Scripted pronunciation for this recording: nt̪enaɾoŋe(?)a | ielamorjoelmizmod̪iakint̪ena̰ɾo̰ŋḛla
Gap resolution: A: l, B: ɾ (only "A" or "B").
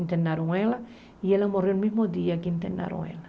A